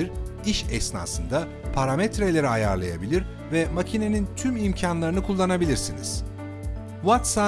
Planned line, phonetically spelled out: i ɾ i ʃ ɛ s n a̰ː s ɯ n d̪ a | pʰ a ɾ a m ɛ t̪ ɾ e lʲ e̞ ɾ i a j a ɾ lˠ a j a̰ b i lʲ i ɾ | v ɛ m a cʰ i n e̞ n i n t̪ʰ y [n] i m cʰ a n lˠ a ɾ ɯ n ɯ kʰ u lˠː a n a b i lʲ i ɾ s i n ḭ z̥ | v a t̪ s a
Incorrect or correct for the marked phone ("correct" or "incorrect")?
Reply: incorrect